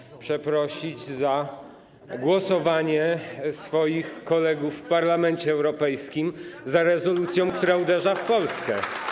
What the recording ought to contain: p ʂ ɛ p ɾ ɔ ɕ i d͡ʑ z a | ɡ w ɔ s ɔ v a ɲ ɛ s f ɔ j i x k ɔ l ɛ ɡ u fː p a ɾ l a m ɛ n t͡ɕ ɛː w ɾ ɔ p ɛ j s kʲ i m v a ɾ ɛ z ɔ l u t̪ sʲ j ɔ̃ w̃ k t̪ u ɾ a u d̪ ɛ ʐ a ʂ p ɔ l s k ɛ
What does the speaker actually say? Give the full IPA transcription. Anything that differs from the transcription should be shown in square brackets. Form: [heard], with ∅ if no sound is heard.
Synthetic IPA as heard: p ʂ ɛ p ɾ ɔ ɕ i d͡ʑ z a | ɡ w ɔ s ɔ v a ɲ ɛ s f ɔ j i x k ɔ l ɛ ɡ u fː p a ɾ l a m ɛ n t͡ɕ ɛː w ɾ ɔ p ɛ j s kʲ i m [z] a ɾ ɛ z ɔ l u t̪ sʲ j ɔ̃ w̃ k t̪ u ɾ a u d̪ ɛ ʐ a [f] p ɔ l s k ɛ